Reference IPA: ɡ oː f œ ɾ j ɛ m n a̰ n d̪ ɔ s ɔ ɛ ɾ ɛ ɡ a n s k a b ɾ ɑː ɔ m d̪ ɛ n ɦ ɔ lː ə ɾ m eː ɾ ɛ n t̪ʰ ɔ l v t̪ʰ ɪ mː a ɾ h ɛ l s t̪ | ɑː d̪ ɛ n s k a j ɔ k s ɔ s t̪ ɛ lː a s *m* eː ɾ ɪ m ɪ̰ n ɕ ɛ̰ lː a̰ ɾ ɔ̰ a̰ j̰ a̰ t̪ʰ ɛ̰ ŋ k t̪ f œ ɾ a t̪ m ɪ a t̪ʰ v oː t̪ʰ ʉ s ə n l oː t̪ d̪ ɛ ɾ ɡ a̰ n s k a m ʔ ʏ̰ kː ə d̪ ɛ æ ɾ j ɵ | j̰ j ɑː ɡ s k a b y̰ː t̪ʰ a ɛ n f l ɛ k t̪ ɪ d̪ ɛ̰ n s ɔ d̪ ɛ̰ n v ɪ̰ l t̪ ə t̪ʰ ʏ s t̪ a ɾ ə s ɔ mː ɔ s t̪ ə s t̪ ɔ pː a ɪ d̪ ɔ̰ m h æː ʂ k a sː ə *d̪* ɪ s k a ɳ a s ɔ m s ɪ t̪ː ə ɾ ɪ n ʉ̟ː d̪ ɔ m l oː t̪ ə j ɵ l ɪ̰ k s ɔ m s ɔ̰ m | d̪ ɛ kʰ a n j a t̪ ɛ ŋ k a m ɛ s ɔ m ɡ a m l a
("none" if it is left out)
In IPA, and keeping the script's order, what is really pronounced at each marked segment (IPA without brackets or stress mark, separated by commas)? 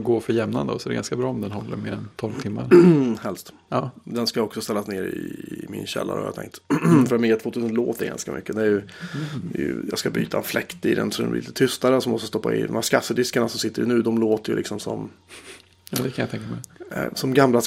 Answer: n, d̪